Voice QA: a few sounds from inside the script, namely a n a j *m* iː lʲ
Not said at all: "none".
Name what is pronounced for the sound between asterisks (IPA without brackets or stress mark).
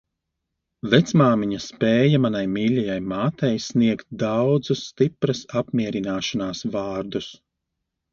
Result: m